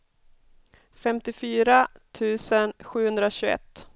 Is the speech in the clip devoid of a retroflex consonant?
yes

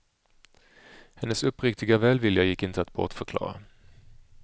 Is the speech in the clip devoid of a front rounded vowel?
no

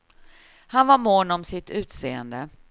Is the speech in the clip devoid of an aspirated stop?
yes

